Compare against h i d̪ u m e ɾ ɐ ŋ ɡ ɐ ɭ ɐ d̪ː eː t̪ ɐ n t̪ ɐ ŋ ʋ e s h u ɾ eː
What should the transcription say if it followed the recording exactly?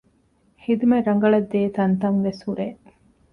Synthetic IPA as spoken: h i d̪ u m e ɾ ɐ ŋ ɡ ɐ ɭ ɐ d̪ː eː t̪ ɐ n t̪ ɐ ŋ ʋ e s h u ɾ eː